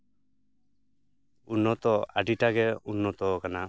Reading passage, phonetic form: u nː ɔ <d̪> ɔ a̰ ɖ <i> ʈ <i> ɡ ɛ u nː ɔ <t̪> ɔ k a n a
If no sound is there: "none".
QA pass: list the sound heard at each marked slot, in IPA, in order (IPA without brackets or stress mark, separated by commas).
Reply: t̪, i, a, t̪